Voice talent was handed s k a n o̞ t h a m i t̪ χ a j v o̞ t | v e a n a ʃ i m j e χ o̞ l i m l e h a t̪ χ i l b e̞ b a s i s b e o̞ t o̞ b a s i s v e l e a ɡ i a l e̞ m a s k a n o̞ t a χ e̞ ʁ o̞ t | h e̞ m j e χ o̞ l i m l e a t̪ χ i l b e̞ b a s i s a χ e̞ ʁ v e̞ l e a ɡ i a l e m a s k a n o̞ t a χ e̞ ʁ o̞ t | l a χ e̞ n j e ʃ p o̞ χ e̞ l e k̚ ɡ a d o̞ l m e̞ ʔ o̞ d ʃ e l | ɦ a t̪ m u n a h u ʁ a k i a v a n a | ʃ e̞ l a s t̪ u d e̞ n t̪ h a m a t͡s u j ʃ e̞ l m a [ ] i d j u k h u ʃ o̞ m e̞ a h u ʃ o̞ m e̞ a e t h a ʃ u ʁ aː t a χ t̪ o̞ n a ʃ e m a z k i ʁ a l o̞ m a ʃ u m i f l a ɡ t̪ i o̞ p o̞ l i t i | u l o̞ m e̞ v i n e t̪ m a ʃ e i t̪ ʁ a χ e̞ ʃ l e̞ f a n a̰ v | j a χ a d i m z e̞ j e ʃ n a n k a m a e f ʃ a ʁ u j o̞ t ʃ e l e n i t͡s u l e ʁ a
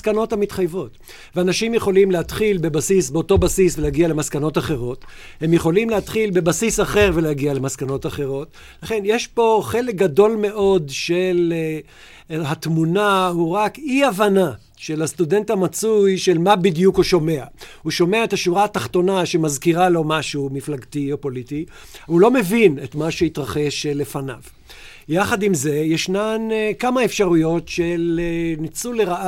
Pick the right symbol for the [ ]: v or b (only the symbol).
b